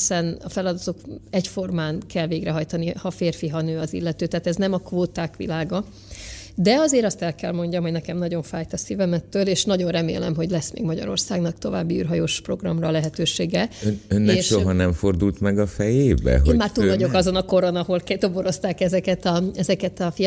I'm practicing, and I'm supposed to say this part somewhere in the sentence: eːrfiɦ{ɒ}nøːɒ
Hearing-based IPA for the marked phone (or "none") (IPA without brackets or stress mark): ɒ